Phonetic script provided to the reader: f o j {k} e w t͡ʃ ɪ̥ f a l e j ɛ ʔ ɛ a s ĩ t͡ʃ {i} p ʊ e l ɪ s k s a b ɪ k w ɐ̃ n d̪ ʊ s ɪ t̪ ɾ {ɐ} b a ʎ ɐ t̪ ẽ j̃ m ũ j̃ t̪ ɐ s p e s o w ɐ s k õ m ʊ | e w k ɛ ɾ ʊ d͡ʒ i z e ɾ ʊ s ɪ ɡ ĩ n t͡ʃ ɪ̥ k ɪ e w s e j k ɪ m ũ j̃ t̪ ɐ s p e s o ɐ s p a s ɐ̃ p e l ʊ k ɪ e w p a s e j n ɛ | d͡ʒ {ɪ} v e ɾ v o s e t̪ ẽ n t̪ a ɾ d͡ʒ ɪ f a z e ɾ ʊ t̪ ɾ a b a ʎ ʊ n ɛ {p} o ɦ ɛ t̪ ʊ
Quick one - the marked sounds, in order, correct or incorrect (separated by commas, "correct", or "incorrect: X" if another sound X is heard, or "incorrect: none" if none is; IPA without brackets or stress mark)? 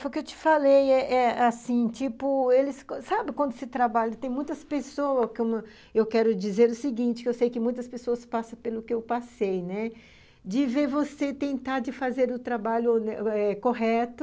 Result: correct, correct, incorrect: a, correct, incorrect: k